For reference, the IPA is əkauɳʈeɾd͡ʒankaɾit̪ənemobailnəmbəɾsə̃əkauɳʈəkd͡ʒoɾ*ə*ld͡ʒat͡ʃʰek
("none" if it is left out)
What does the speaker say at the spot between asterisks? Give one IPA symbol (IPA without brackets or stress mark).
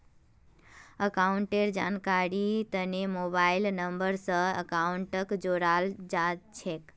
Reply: a